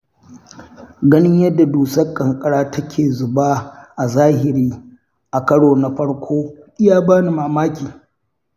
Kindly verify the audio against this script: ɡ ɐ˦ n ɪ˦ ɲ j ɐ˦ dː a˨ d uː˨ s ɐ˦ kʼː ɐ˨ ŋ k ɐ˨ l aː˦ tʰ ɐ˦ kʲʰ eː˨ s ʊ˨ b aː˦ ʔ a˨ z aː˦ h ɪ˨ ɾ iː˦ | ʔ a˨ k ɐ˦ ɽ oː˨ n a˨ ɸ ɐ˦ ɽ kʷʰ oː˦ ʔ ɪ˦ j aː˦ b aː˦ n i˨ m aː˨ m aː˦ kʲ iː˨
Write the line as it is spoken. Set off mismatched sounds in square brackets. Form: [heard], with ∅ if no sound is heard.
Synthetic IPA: ɡ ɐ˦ n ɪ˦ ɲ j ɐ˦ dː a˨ d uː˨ s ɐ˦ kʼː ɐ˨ ŋ [kʼ] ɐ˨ [ɽ] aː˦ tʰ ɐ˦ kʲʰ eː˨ [z] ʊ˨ b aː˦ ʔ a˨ z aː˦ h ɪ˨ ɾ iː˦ | ʔ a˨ k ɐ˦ ɽ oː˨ n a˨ ɸ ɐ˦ ɽ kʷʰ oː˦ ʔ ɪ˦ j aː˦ b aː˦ n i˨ m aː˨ m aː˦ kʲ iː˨